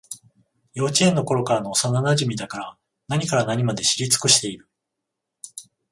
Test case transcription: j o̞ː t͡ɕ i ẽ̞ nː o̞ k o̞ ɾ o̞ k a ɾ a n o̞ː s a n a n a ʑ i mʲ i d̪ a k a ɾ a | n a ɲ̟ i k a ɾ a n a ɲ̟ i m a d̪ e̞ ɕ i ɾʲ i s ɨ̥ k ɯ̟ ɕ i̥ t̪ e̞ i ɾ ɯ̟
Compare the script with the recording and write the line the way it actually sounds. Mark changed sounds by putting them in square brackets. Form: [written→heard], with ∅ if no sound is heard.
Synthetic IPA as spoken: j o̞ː t͡ɕ i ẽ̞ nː o̞ k o̞ ɾ o̞ k a ɾ a n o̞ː s a n a n a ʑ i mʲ i d̪ a k a ɾ a | n a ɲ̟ i k a ɾ a n a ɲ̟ i m a d̪ e̞ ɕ i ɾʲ i [s→t͡s] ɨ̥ k ɯ̟ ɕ i̥ t̪ e̞ i ɾ ɯ̟